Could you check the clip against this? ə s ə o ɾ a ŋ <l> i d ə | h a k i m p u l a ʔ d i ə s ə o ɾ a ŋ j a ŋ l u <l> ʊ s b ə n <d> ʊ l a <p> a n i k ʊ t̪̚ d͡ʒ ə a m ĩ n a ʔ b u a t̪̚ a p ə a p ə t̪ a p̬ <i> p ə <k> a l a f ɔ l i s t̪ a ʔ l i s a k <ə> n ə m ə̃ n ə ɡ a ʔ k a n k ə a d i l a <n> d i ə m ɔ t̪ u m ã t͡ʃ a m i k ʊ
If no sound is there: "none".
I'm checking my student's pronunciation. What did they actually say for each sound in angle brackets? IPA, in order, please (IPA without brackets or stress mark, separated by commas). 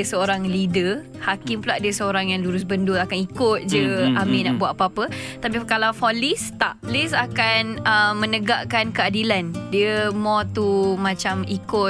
l, ɾ, d, k, i, k, a, n